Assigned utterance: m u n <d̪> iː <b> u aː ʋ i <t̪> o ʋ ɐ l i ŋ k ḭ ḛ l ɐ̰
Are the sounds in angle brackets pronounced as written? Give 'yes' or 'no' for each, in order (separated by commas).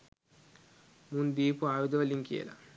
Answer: yes, no, no